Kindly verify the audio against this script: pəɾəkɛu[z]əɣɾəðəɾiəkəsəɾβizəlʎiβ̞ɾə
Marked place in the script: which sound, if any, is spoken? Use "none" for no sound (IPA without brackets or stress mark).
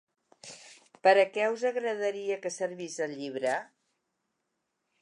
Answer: z